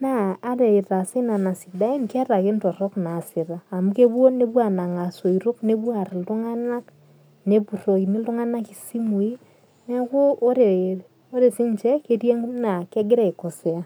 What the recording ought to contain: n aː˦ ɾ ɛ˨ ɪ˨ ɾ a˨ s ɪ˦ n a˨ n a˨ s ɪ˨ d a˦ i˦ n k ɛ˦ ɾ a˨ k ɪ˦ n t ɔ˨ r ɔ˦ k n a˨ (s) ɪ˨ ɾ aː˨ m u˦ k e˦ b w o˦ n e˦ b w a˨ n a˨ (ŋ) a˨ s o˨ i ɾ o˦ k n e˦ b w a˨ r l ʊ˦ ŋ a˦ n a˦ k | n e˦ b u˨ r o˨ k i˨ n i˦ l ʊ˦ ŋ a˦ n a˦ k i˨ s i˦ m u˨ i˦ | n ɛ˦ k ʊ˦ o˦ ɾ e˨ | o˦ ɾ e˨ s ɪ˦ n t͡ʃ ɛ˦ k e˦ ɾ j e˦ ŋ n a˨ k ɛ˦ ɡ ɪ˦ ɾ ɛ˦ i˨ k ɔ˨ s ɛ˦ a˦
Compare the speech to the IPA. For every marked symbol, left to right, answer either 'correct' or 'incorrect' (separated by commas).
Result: correct, correct